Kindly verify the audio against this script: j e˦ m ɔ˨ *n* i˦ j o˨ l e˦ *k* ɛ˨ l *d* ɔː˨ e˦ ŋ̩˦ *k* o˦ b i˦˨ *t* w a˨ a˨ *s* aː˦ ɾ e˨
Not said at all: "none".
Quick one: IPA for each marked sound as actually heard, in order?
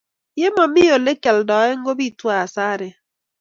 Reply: m, k, d, ɡ, t, s

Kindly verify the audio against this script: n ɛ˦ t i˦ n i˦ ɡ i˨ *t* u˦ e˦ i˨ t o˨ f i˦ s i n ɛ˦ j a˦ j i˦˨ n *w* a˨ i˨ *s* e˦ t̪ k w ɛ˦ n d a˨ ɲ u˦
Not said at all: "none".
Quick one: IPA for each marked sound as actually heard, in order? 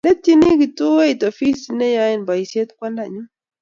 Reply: t, b, s

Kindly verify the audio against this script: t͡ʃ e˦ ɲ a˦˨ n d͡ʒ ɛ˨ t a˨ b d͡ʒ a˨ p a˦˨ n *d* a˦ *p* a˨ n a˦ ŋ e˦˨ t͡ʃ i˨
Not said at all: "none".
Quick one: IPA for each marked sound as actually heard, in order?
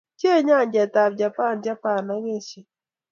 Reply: d͡ʒ, p

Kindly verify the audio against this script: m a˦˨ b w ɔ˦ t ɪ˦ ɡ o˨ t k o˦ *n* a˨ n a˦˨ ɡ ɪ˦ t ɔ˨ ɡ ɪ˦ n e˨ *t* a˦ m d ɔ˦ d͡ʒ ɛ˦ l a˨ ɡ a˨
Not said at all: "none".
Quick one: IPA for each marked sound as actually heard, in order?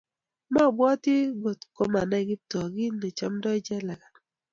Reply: m, t͡ʃ

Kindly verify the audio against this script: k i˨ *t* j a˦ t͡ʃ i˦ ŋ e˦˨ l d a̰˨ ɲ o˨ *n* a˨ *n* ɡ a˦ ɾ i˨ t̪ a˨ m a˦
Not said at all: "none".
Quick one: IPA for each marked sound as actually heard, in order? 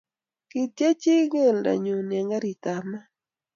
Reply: t, n, ŋ

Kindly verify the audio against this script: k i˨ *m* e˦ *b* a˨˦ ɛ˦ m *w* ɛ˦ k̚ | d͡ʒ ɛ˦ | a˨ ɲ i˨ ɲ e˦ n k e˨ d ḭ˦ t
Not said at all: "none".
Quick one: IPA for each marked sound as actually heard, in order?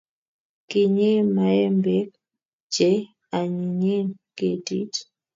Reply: ɲ, m, b

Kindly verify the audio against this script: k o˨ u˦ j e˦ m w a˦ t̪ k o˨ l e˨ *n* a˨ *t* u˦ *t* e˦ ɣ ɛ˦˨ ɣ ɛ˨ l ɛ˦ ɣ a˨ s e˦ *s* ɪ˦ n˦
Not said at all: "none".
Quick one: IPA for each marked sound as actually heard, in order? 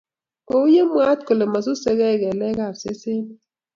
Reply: m, s, s, s

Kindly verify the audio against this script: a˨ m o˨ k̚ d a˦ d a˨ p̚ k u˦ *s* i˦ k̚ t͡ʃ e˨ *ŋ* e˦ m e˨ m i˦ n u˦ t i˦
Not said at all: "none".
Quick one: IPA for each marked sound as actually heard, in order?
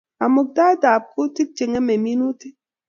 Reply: t, ŋ

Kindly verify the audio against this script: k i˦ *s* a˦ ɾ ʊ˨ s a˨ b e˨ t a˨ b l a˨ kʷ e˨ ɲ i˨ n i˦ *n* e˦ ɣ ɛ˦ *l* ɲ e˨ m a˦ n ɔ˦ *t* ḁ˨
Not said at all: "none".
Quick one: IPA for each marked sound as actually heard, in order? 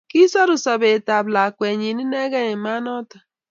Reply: s, n, none, t

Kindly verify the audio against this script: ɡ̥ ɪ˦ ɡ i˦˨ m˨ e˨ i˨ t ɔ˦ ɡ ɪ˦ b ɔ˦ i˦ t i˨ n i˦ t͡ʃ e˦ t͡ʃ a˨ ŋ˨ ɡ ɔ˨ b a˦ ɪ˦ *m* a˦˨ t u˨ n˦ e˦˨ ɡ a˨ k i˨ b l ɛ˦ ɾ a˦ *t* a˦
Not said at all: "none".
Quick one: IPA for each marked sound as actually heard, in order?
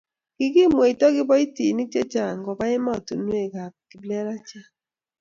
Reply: m, t͡ʃ

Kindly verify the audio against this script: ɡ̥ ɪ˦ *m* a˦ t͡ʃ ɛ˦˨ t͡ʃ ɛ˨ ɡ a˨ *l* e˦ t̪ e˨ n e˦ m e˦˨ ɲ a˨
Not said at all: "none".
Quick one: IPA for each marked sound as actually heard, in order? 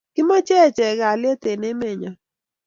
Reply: m, l

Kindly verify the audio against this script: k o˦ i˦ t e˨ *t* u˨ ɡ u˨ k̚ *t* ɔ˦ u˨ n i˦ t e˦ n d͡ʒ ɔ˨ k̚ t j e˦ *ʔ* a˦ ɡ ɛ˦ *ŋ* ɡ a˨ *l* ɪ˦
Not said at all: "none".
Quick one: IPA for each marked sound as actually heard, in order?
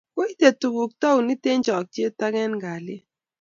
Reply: t, t, t, n, l

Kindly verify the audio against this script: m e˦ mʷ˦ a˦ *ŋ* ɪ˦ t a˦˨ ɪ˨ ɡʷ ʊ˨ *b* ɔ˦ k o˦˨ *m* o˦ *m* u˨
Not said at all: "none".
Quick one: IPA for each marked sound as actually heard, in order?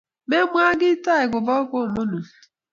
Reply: ɡ, b, m, n

